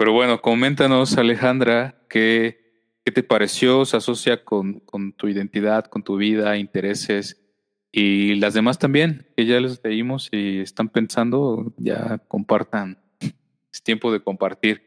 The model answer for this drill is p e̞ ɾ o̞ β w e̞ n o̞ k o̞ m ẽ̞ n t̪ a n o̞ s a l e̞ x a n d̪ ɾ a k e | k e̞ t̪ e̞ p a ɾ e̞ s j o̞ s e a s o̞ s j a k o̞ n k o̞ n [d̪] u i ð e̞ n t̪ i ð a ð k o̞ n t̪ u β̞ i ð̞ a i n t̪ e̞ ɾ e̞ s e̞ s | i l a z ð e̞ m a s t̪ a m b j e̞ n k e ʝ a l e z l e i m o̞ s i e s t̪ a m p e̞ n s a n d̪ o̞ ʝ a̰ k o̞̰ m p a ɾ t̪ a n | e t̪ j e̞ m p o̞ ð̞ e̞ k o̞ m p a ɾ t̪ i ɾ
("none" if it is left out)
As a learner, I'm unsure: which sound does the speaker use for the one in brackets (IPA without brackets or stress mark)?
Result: t̪